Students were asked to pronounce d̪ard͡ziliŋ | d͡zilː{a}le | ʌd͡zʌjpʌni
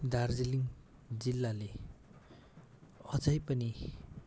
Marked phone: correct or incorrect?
correct